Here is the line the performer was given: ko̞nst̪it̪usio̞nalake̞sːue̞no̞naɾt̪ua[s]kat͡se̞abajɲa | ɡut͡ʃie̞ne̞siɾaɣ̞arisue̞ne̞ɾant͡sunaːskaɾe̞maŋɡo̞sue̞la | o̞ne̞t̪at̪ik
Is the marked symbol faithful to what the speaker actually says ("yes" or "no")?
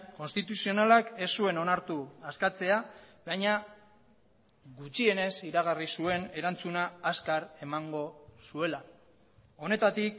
yes